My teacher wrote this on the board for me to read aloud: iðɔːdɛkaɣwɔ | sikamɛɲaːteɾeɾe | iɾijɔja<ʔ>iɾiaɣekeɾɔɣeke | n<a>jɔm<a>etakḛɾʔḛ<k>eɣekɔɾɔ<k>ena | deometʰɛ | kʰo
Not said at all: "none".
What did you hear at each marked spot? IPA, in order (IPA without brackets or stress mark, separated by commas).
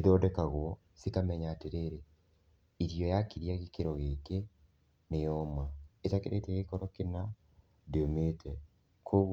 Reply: k, e, a, t, k